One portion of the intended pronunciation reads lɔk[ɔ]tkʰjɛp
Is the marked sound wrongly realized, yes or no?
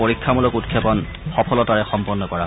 yes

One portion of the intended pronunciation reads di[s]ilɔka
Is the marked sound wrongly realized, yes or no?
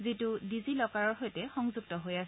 yes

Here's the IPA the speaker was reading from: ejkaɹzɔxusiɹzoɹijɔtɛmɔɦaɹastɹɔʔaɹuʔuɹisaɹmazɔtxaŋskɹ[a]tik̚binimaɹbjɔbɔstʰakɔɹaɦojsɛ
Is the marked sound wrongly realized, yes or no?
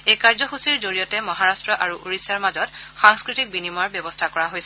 yes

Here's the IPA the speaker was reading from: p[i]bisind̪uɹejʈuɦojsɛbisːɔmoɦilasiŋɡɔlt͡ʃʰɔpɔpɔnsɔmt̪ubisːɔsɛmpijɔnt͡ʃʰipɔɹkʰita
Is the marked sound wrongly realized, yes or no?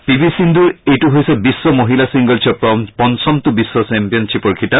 no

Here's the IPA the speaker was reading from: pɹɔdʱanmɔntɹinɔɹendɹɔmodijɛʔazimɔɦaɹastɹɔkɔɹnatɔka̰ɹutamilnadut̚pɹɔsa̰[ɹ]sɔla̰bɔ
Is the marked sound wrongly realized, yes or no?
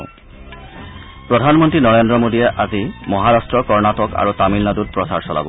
no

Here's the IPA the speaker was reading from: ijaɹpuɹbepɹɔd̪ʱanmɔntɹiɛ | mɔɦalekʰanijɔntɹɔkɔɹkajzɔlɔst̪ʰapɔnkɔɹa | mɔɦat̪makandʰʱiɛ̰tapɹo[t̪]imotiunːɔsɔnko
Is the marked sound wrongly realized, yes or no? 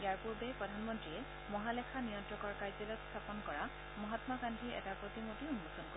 no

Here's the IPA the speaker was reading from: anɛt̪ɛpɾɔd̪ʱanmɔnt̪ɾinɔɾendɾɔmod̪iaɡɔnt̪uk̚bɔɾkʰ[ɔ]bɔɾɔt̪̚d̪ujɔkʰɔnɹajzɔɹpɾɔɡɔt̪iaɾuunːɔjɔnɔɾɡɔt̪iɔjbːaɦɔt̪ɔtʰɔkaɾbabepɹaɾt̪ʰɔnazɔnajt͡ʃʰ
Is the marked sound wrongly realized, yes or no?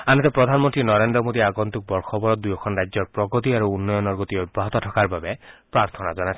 no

